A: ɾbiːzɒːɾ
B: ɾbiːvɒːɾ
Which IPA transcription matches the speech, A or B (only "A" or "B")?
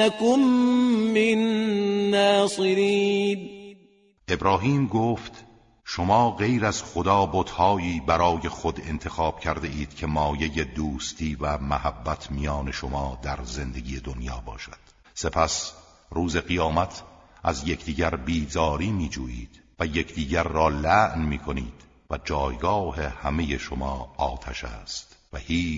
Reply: A